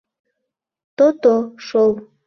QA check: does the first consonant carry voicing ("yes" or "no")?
no